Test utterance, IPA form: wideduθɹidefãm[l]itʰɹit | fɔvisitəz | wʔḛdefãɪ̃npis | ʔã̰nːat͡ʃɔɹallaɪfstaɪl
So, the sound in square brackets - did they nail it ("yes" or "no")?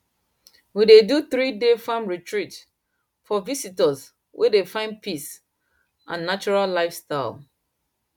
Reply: no